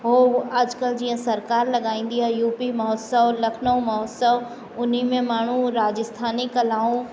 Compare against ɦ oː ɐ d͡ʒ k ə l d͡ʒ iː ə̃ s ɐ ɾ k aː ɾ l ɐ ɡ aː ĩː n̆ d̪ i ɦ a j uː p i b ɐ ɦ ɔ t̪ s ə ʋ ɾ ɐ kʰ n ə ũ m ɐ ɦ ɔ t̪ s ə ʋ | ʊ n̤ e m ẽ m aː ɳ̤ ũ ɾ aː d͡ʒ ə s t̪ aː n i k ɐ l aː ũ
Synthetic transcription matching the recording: ɦ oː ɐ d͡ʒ k ə l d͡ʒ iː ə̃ s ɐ ɾ k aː ɾ l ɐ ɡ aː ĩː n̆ d̪ i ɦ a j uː p i m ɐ ɦ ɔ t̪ s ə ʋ l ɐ kʰ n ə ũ m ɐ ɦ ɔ t̪ s ə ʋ | ʊ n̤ i m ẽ m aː ɳ̤ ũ ɾ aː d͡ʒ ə s t̪ʰ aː n i k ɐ l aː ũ